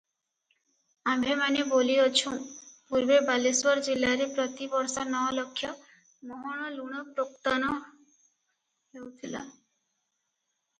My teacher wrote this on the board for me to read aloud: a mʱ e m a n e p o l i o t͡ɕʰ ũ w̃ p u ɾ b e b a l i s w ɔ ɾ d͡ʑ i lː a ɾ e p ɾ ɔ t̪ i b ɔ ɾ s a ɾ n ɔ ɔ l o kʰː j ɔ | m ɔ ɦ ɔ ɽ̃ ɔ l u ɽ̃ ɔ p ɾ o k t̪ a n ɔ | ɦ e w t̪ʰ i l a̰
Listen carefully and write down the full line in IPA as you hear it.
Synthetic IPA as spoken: a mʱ e m a n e b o l i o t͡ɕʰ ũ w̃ p u ɾ b e b a l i s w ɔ ɾ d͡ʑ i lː a ɾ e p ɾ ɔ t̪ i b ɔ ɾ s a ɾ n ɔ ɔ l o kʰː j ɔ | m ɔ ɦ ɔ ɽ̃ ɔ l u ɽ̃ ɔ p ɾ o k t̪ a n ɔ | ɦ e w t̪ʰ i l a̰